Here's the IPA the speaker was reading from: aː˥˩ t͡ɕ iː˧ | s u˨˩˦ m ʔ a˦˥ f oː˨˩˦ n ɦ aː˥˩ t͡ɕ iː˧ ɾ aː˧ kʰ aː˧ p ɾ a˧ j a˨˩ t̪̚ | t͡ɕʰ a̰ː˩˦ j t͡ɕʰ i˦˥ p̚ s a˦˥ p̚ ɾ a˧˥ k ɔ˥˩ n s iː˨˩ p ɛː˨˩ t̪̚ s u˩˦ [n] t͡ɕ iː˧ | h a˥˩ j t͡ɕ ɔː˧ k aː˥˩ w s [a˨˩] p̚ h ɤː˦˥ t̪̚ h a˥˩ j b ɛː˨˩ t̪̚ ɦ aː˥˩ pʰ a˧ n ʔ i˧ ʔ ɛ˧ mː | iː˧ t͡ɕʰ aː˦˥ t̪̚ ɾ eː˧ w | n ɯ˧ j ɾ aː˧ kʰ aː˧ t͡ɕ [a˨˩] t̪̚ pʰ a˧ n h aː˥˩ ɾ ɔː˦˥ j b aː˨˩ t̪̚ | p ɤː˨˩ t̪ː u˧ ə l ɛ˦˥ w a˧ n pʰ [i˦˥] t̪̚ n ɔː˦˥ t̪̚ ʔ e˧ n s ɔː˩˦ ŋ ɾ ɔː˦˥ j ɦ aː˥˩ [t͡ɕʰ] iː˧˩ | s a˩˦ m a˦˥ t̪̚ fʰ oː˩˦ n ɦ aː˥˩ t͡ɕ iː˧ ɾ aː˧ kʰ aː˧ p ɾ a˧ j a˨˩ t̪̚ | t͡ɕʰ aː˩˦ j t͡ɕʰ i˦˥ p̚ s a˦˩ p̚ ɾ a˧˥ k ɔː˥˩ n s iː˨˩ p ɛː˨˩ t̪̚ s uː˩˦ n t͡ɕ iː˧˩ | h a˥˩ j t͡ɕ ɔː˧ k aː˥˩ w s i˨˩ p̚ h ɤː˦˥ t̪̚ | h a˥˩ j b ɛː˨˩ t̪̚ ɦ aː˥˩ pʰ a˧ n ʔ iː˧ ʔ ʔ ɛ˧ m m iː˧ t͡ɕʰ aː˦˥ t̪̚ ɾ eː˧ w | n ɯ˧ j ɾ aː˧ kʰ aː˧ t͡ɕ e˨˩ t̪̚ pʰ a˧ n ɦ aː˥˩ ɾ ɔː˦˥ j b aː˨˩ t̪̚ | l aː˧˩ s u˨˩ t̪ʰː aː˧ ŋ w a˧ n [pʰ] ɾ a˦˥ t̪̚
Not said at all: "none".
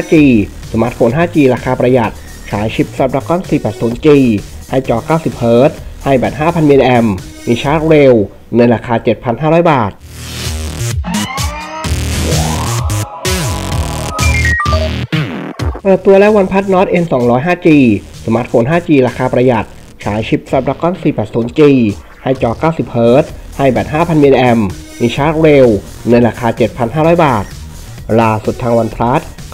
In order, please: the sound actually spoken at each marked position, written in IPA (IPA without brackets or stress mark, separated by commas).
n, i˨˩, e˨˩, a˦˥, t͡ɕ, pʰ